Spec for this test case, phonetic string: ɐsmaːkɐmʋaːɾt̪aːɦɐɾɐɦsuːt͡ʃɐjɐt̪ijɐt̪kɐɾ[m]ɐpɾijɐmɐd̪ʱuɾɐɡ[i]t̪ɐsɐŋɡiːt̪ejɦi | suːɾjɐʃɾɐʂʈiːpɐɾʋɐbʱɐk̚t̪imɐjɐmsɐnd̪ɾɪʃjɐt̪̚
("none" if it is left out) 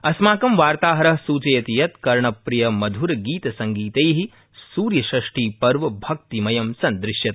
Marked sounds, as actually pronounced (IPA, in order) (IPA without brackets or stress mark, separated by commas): ɳ, iː